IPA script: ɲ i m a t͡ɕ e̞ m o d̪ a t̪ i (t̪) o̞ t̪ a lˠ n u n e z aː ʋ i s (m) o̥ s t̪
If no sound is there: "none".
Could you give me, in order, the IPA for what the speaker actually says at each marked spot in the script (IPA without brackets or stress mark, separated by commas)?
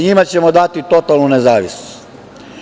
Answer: t̪, n